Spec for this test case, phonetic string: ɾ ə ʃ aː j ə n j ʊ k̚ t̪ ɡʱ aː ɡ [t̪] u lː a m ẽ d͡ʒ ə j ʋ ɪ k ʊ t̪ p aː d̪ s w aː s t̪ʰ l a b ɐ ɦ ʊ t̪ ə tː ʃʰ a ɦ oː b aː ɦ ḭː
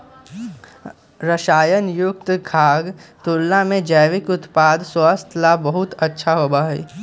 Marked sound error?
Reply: no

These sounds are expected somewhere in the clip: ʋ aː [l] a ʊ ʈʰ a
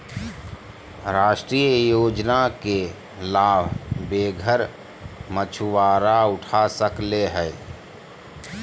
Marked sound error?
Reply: yes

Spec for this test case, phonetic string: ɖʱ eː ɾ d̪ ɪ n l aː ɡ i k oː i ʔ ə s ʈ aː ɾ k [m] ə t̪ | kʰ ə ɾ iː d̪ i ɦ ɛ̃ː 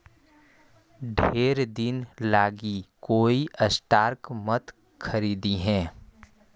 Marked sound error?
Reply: no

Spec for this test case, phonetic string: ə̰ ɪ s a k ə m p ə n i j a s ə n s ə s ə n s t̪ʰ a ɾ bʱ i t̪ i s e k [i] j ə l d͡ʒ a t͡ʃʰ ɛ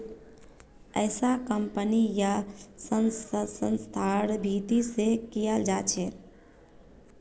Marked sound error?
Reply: no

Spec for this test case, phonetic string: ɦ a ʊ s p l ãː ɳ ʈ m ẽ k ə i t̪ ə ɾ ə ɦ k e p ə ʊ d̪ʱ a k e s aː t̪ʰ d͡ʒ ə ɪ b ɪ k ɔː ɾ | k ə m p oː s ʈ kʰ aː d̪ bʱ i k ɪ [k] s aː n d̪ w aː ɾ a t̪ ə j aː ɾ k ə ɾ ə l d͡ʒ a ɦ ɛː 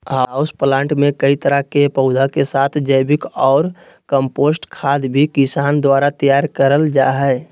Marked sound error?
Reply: yes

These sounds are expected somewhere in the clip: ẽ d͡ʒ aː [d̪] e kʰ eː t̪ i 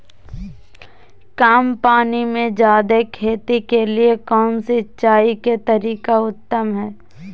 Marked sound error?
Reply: no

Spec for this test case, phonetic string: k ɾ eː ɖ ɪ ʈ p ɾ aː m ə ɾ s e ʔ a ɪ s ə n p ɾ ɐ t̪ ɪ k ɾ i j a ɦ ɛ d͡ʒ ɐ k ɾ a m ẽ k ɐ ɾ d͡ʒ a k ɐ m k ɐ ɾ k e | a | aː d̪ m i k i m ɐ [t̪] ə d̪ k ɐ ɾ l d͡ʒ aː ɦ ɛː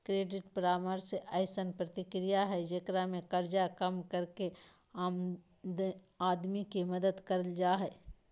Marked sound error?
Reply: yes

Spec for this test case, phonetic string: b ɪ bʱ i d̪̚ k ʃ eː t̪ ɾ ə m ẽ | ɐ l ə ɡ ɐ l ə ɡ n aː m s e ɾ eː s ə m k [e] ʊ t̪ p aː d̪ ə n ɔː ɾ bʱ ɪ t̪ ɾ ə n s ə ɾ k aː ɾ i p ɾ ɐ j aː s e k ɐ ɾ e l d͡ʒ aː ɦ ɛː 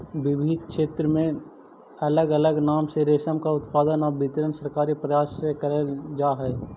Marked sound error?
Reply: yes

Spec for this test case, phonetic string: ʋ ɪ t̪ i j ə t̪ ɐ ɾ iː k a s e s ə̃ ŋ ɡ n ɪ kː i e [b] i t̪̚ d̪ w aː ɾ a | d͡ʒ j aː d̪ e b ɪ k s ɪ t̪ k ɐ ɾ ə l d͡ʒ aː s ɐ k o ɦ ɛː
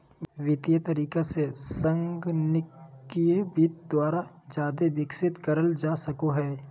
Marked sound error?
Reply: no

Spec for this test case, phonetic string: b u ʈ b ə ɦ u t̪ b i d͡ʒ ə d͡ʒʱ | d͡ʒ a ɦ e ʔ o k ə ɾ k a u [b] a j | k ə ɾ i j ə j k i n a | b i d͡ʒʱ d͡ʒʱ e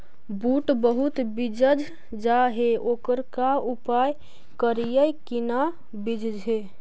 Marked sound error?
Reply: yes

